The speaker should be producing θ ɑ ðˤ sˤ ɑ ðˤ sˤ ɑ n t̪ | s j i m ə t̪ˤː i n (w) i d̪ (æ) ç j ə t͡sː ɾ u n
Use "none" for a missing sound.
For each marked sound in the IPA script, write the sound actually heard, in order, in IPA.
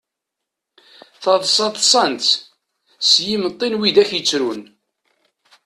w, æ

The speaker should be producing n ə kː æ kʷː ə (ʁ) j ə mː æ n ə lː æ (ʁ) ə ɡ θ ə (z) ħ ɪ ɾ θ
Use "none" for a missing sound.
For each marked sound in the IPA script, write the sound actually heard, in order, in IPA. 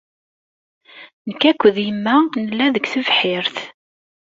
ð, ð, v

